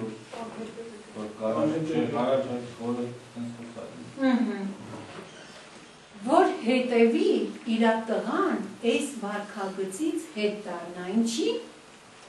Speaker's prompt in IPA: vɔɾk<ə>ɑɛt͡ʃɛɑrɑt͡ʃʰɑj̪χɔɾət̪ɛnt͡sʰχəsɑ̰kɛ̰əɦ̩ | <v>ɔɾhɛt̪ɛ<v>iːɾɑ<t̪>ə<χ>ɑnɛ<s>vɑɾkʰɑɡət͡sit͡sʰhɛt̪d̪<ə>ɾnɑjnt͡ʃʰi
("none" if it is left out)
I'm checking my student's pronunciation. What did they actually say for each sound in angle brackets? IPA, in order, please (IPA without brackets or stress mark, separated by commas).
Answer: ɑ, v, v, t̪, ʁ, s, ɑ